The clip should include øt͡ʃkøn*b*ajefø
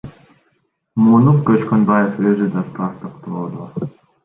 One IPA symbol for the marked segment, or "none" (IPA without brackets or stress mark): b